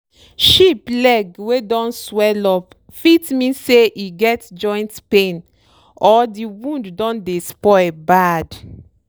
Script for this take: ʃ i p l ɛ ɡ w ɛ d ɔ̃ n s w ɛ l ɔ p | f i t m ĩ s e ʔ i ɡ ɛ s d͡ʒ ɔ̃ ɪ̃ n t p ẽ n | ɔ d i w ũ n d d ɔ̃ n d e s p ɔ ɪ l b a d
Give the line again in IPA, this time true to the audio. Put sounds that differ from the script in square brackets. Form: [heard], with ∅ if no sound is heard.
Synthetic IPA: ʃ i p l ɛ ɡ w [e] d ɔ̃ n s w ɛ l ɔ p | f i t m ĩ s e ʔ i ɡ ɛ [t] d͡ʒ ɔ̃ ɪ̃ n t p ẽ n | ɔ d i w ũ n d d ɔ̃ n d e s p ɔ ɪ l b a d